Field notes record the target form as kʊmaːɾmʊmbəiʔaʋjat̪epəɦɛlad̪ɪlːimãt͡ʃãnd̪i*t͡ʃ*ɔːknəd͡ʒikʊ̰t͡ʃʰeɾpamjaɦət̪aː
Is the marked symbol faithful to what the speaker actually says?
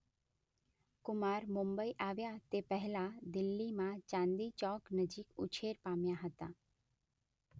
yes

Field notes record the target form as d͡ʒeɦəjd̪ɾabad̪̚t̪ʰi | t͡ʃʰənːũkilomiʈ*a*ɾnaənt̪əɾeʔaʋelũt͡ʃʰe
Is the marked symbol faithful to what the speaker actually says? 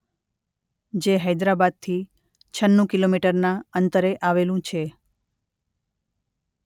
no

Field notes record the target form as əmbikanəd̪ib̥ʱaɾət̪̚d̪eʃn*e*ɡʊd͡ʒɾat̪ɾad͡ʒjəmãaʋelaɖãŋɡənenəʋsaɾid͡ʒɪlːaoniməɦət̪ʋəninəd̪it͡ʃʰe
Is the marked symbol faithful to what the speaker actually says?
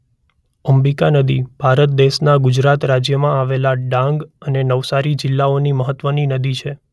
no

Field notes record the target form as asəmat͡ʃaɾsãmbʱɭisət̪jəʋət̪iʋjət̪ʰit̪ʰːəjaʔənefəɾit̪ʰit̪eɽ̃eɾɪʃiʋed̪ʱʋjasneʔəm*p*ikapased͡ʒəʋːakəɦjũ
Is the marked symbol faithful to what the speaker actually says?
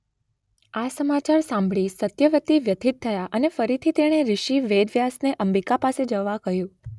no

